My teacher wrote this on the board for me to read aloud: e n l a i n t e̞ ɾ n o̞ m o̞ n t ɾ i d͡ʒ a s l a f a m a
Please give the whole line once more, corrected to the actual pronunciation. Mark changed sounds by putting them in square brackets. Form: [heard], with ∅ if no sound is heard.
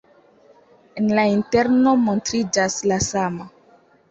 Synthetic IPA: e n l a i n t e̞ ɾ n o̞ m o̞ n t ɾ i d͡ʒ a s l a [s] a m a